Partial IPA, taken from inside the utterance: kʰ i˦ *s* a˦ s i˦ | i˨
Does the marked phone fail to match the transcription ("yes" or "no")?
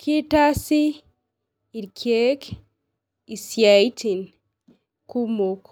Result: yes